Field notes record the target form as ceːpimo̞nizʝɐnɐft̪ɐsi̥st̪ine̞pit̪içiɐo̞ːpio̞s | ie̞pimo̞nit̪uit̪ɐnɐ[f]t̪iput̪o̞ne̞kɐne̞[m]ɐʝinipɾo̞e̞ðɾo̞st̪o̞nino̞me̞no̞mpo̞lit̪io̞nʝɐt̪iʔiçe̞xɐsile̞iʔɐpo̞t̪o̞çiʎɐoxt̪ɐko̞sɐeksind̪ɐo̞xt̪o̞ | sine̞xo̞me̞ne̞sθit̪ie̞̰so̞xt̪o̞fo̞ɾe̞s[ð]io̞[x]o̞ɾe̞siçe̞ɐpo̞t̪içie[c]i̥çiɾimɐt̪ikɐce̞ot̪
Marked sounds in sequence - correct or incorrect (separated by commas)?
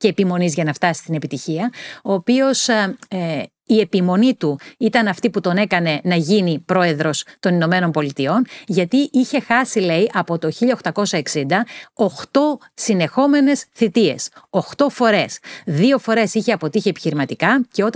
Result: correct, incorrect, correct, incorrect, incorrect